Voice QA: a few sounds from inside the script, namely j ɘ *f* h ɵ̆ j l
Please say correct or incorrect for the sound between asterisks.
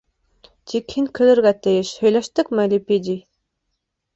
incorrect